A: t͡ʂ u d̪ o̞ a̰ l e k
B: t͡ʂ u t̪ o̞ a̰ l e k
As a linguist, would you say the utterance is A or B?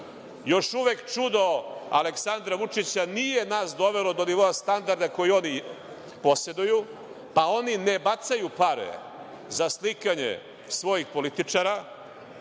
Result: A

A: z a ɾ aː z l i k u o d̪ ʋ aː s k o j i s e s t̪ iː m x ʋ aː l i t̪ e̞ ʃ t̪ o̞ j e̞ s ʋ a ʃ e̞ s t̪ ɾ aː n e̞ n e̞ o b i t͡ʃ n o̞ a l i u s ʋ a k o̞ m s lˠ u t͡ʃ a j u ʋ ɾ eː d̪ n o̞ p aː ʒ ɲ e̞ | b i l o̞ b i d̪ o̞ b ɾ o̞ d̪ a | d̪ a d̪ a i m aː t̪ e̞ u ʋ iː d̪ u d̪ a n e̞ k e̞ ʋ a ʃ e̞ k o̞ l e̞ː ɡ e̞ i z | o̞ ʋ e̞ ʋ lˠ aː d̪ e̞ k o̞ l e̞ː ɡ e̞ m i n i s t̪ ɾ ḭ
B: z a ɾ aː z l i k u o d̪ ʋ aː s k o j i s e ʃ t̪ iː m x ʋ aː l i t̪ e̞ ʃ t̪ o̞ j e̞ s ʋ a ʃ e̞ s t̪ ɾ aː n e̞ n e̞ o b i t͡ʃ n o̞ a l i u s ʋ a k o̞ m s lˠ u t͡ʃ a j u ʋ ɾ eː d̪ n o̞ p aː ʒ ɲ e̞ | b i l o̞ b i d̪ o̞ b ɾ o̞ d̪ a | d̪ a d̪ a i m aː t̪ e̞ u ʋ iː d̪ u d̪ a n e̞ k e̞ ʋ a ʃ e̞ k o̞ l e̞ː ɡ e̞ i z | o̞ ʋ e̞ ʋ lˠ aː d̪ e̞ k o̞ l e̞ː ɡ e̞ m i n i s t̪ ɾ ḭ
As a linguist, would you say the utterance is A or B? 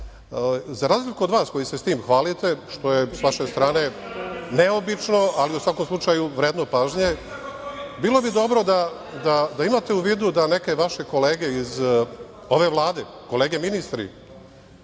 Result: A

